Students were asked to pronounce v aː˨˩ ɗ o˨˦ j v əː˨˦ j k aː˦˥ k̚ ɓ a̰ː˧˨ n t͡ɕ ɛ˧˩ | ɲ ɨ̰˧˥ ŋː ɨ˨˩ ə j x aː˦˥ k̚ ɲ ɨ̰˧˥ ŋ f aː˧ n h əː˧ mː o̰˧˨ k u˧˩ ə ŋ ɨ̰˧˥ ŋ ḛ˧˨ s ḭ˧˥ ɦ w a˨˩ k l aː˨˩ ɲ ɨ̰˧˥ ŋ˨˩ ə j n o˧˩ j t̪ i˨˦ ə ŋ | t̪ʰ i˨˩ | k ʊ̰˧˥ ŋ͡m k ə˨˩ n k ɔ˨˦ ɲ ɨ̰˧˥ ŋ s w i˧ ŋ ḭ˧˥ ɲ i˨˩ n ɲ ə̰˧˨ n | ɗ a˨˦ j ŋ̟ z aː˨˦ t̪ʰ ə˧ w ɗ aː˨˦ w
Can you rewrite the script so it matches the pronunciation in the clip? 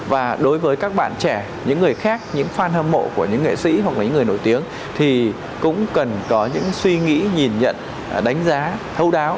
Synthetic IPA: v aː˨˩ ɗ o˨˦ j v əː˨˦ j k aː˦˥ k̚ ɓ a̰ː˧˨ n t͡ɕ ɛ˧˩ | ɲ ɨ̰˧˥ ŋː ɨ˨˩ ə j x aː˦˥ k̚ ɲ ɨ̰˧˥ ŋ f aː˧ n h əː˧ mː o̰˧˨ k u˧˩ ə ɲ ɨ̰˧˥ ŋ ḛ˧˨ s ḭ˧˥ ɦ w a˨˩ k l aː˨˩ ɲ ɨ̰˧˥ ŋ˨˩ ə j n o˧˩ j t̪ i˨˦ ə ŋ | t̪ʰ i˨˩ | k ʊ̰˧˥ ŋ͡m k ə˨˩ n k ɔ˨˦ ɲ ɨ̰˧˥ ŋ s w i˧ ŋ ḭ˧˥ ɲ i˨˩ n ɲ ə̰˧˨ n | ɗ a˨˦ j ŋ̟ z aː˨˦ t̪ʰ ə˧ w ɗ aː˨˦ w